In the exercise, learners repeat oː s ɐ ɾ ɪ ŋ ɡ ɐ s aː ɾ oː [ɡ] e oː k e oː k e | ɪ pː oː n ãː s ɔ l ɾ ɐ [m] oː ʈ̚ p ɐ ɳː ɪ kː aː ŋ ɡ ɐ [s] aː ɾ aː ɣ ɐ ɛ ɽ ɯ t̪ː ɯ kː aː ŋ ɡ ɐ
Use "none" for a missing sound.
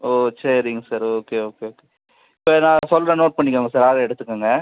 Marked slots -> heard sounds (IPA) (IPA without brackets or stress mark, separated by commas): k, n, s